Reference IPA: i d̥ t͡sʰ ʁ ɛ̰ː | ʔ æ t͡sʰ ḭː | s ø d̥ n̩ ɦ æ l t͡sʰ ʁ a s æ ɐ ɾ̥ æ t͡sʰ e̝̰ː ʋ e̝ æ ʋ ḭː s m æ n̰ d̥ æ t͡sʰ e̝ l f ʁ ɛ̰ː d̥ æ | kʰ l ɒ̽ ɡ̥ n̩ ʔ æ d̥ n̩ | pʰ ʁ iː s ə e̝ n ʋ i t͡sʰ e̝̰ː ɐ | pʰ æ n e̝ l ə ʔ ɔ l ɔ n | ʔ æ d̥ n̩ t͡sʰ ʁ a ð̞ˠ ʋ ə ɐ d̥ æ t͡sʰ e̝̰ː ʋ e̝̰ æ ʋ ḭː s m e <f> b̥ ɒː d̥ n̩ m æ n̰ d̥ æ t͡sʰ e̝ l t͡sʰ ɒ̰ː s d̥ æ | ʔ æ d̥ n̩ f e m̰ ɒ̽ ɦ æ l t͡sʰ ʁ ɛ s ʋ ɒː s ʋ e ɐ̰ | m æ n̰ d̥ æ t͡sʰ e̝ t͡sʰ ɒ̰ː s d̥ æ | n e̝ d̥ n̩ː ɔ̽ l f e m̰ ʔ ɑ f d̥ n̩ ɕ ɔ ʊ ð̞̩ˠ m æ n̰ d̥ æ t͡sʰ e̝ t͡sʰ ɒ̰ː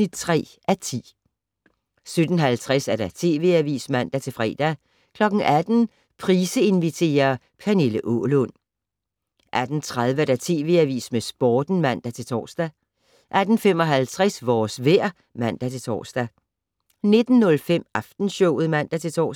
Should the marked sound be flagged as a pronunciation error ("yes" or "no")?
yes